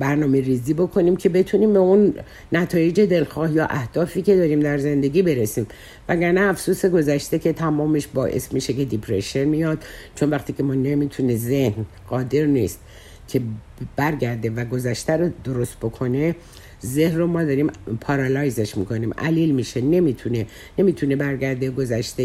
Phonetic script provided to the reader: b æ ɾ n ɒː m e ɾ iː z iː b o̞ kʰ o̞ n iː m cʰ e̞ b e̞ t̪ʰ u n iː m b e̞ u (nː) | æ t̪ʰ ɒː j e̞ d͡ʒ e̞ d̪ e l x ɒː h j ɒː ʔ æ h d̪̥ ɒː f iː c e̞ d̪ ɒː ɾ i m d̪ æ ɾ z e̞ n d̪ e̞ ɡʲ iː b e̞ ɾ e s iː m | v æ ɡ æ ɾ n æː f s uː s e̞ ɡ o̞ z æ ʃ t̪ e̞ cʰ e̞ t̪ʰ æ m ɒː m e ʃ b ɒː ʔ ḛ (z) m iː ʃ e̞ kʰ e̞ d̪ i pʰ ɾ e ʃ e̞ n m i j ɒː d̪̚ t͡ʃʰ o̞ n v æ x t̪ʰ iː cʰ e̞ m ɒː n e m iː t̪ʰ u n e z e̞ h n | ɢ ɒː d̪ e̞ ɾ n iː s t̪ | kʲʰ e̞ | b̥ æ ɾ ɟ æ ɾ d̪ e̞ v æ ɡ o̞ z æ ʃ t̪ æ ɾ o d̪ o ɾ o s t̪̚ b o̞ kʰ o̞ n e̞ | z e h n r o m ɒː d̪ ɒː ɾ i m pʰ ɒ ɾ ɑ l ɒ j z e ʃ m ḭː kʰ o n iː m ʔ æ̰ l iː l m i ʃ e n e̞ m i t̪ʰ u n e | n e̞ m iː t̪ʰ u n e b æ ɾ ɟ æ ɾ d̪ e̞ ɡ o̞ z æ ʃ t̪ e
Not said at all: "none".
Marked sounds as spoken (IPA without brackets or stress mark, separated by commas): nː, s